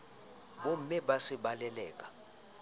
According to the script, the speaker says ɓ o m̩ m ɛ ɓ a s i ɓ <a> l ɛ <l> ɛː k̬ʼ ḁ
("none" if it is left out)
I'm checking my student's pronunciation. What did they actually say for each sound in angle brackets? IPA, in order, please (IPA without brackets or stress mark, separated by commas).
a, l